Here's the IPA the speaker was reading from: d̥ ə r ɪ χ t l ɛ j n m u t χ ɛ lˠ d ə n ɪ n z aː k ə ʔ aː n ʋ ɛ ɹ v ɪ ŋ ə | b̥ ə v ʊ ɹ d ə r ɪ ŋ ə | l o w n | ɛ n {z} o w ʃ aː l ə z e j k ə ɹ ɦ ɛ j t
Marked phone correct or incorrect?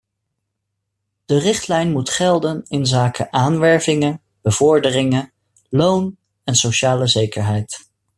incorrect